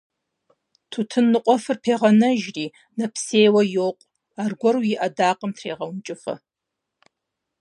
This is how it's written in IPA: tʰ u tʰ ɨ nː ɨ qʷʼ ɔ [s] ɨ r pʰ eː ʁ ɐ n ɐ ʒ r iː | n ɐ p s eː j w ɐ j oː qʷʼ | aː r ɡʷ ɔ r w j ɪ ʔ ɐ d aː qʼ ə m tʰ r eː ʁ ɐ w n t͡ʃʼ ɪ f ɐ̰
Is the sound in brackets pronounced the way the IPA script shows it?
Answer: no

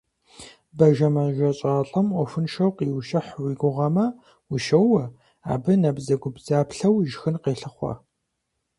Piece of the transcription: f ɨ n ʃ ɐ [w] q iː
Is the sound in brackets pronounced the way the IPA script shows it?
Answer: yes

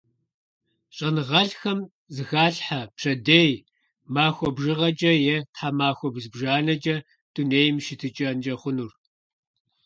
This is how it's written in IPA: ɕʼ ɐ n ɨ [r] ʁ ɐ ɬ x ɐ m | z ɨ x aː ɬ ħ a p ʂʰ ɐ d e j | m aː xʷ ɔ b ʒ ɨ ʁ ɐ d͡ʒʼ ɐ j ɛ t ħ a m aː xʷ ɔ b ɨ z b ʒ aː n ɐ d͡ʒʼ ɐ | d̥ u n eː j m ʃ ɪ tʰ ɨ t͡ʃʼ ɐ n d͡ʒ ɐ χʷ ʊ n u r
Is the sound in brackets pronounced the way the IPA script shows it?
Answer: no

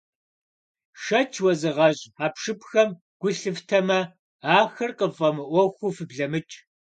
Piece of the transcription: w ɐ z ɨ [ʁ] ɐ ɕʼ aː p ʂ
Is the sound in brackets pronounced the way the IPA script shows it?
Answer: yes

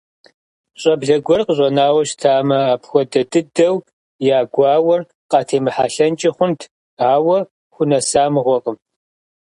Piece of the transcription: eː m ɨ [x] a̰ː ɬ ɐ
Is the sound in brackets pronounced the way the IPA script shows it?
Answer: no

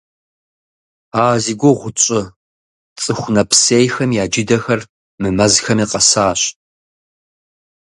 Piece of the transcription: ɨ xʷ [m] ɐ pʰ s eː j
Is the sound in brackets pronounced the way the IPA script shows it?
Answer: no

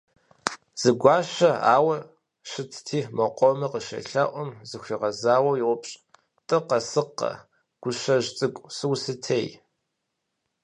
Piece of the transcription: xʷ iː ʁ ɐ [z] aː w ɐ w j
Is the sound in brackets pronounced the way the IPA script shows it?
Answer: yes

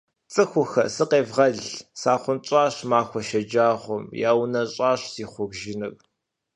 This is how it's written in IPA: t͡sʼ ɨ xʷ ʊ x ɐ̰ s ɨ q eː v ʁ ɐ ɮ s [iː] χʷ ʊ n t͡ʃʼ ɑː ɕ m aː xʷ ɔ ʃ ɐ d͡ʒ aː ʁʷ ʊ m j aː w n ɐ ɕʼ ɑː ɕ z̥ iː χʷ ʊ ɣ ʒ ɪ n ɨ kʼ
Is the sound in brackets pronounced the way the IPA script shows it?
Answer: no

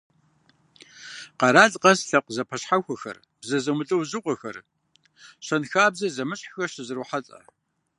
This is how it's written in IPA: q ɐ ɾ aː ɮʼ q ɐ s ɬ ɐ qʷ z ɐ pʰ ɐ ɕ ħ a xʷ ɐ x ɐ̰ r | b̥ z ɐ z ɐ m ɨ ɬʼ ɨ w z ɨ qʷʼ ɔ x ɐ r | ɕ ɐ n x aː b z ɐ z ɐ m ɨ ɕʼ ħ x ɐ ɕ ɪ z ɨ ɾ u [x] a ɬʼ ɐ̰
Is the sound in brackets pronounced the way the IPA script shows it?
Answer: no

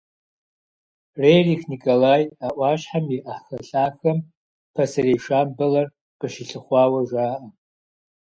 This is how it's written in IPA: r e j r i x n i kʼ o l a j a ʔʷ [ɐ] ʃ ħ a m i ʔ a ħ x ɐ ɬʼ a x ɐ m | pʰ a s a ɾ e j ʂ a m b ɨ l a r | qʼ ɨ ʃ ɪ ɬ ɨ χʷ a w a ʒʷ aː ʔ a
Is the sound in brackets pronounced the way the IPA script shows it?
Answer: no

